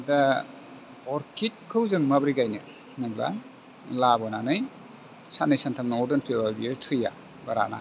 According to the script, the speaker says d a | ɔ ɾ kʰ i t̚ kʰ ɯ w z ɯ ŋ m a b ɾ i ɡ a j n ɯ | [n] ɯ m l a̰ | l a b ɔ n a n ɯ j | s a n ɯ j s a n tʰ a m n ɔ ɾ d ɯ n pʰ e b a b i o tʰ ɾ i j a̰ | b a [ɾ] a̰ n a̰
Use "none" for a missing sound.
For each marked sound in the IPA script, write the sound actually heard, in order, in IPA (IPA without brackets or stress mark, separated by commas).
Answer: n, ɾ